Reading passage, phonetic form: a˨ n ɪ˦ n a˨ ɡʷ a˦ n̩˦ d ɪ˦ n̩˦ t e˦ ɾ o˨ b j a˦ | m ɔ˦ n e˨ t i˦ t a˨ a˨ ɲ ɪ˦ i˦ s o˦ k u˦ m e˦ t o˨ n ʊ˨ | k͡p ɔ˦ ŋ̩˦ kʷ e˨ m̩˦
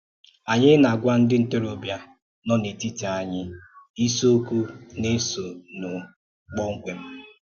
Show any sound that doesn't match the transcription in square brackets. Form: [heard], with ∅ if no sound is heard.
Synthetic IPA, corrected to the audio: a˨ [ɲ] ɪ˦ n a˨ ɡʷ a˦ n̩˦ d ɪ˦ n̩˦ t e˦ ɾ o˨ b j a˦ | [n] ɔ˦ n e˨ t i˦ t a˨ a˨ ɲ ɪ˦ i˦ s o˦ k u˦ [n] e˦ [s] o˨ n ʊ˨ | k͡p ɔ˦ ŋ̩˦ kʷ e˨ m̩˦